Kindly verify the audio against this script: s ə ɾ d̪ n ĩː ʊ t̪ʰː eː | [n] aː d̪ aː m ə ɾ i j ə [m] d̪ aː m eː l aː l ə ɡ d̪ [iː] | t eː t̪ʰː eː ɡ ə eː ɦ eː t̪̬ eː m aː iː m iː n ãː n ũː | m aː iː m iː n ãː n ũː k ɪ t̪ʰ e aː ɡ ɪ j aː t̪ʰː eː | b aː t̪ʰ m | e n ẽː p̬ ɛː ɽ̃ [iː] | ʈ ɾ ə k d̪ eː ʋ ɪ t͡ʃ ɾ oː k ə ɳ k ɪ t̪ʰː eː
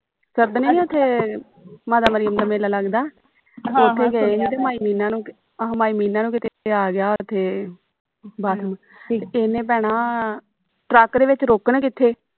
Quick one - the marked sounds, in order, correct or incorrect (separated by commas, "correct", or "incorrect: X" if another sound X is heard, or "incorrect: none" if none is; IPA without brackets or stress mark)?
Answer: incorrect: m, correct, incorrect: aː, incorrect: aː